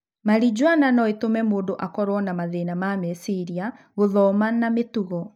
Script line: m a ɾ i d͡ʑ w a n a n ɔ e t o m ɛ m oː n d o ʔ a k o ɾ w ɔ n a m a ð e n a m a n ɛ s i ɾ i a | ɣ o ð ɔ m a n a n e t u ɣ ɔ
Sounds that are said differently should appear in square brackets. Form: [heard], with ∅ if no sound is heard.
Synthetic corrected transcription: m a ɾ i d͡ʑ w a n a n ɔ e t o m ɛ m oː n d o ʔ a k [ɔ] ɾ w ɔ n a m a ð e n a m a [m] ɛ s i ɾ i a | ɣ o ð ɔ m a n a [m] e t u ɣ ɔ